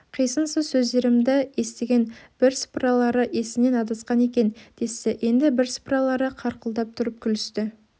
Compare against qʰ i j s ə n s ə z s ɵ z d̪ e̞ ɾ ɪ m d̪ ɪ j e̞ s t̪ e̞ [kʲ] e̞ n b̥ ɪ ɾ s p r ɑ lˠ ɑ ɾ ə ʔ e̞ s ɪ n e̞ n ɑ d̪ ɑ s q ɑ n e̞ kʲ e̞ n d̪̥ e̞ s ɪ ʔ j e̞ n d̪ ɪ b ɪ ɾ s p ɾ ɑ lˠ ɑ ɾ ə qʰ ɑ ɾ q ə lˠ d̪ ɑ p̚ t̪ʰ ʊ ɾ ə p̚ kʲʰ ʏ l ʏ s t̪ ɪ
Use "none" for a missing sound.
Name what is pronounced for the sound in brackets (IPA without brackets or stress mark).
ɡʲ